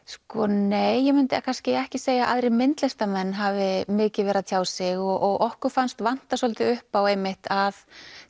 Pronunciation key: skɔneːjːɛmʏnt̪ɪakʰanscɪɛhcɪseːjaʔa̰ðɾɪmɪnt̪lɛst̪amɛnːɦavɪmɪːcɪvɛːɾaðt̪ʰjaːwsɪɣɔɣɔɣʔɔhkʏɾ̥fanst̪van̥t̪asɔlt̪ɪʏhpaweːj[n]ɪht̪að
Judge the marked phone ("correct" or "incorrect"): incorrect